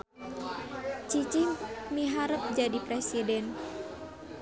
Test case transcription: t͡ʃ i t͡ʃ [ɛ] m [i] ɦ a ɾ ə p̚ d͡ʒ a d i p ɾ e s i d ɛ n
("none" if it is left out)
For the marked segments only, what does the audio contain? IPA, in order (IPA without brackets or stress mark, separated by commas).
i, i